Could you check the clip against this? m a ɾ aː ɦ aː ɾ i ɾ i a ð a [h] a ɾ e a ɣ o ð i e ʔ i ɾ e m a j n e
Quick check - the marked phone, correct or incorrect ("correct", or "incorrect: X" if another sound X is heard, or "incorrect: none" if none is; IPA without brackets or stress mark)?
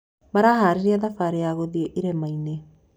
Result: incorrect: f